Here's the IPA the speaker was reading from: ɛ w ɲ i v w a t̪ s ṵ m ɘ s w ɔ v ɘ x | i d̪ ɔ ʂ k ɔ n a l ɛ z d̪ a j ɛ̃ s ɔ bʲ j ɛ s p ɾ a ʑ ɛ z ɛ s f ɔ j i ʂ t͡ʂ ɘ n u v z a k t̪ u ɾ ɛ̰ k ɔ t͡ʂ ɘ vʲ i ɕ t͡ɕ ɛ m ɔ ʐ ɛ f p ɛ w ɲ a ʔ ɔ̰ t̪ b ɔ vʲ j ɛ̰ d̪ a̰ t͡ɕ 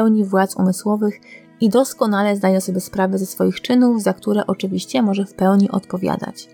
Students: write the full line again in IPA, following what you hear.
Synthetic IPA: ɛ w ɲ i v w a t̪ s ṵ m ɘ s w ɔ v ɘ x | i d̪ ɔ s k ɔ n a l ɛ z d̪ a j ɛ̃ s ɔ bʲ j ɛ s p ɾ a v ɛ z ɛ s f ɔ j i x t͡ʂ ɘ n u v z a k t̪ u ɾ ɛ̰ ʔ ɔ t͡ʂ ɘ vʲ i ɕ t͡ɕ ɛ m ɔ ʐ ɛ f p ɛ w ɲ i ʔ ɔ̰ t̪ p ɔ vʲ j a̰ d̪ a̰ t͡ɕ